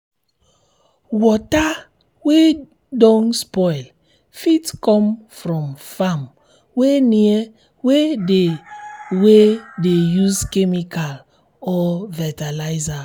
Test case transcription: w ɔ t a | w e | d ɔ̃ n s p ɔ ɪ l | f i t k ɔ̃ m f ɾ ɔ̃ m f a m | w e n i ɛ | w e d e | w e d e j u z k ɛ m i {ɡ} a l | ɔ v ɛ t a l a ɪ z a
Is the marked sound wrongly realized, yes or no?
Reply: yes